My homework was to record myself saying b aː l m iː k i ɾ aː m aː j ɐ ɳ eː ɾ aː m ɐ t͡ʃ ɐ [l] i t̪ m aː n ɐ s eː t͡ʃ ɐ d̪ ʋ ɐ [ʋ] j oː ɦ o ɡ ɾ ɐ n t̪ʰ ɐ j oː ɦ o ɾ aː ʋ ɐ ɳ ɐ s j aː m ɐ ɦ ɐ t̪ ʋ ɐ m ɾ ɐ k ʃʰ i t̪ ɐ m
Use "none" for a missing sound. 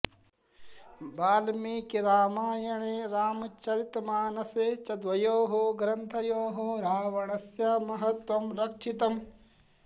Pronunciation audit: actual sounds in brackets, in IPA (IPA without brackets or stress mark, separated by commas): ɾ, none